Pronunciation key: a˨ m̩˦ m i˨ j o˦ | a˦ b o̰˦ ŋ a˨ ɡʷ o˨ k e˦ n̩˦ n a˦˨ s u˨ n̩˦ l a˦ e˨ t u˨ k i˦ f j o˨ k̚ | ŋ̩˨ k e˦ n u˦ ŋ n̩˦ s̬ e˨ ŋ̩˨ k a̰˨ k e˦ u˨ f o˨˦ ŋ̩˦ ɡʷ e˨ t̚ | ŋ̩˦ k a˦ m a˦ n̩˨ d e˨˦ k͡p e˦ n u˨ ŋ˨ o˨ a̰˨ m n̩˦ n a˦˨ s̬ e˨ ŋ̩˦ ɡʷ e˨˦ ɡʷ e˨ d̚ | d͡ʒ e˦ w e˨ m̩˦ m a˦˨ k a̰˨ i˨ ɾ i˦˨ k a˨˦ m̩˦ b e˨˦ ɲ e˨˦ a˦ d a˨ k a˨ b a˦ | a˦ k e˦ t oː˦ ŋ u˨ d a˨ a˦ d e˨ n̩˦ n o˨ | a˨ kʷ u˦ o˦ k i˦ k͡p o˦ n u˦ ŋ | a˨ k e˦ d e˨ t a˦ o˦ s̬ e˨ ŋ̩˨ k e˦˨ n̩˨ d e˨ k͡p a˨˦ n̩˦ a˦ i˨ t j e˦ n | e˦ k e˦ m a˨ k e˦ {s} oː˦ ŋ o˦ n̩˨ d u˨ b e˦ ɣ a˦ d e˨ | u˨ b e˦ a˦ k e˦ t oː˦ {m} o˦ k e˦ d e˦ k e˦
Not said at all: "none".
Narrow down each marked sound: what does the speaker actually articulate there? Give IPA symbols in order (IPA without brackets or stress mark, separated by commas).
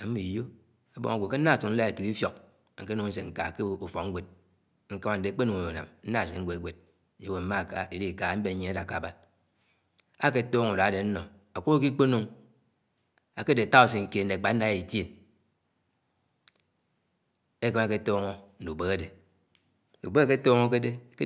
t, ŋ